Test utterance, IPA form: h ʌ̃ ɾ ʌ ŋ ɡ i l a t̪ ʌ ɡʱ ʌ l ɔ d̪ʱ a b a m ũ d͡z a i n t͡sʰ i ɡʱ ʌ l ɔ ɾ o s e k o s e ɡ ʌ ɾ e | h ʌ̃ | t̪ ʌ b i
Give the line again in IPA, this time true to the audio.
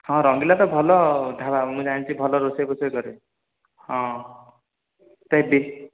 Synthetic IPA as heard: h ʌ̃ ɾ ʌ ŋ ɡ i l a t̪ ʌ bʱ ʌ l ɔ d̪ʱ a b a m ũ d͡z a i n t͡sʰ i bʱ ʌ l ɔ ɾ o s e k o s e ɡ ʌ ɾ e | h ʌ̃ | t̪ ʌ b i

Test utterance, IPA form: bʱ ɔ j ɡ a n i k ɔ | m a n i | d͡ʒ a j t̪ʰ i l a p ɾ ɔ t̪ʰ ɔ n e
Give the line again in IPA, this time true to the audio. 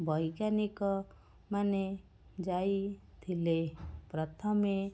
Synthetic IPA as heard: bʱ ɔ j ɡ a n i k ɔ | m a n e | d͡ʒ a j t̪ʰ i l e p ɾ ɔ t̪ʰ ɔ m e

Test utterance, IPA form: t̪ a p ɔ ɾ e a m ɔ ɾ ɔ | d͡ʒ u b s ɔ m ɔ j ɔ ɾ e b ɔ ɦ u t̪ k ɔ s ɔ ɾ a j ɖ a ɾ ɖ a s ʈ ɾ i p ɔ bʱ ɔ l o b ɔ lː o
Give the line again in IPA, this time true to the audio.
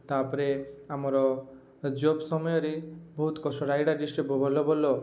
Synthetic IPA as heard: t̪ a p ɔ ɾ e a m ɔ ɾ ɔ | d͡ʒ o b s ɔ m ɔ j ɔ ɾ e b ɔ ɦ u t̪ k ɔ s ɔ ɾ a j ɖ a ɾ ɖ i s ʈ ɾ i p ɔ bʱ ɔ l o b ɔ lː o

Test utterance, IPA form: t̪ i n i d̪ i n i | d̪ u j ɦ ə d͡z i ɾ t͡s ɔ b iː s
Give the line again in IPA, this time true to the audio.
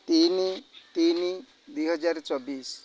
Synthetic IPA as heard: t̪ i n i t̪ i n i | d̪ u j ɦ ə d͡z a ɾ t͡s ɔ b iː s

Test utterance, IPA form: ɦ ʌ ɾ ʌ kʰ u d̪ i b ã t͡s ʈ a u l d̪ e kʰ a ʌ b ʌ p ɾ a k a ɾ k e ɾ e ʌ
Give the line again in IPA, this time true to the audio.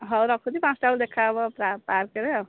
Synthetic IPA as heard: ɦ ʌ ɾ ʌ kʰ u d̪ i p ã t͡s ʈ a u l d̪ e kʰ a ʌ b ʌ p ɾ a p a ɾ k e ɾ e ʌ

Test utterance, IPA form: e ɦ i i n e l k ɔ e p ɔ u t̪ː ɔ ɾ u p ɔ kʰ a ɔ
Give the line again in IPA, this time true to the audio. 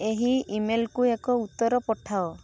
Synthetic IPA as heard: e ɦ i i m e l k u e k ɔ u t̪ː ɔ ɾ ɔ p ɔ ʈʰ a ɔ

